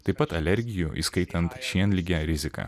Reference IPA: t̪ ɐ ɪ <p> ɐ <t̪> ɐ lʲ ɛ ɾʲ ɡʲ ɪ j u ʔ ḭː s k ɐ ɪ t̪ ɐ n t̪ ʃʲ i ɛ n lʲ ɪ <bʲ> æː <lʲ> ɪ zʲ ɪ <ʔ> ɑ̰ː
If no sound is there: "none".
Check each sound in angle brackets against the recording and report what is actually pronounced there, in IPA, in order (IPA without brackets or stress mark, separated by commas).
p, t̪, ɡʲ, ɾʲ, k